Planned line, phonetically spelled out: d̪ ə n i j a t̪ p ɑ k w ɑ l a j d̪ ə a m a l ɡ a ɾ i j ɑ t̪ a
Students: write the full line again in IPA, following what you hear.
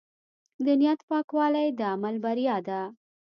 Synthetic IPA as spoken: d̪ ə n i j a t̪ p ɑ k w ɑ l a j d̪ ə a m a l b a ɾ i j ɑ d̪ a